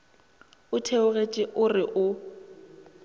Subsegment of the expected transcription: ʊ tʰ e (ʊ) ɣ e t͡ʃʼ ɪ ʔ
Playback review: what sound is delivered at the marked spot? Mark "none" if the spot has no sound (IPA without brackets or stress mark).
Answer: ʊ